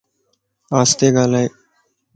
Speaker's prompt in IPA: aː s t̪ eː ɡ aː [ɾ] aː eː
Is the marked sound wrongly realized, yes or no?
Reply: yes